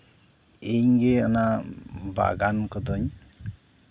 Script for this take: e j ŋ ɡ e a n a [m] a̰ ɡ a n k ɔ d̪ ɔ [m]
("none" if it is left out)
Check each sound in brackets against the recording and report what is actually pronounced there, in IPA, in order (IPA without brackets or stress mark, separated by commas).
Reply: b, ɲ